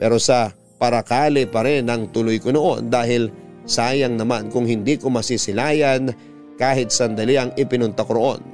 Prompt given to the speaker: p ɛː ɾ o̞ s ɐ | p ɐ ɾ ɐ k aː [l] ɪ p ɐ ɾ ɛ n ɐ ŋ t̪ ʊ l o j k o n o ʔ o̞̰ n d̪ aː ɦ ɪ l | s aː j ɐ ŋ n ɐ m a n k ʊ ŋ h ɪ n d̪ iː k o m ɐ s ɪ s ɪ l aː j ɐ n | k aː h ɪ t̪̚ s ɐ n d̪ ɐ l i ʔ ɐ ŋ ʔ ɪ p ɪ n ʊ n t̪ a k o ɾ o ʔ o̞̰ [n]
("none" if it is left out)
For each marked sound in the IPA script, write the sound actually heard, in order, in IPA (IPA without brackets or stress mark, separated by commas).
l, n